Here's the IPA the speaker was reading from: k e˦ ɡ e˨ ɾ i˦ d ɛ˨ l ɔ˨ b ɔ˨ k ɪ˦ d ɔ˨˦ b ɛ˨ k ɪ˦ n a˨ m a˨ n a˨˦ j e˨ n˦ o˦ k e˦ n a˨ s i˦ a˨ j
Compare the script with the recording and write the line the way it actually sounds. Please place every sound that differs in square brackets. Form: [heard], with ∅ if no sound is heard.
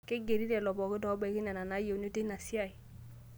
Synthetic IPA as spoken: k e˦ ɡ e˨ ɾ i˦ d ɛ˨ l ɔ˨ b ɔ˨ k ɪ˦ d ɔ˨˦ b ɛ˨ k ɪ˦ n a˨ [n] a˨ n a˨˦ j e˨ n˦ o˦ [t] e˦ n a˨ s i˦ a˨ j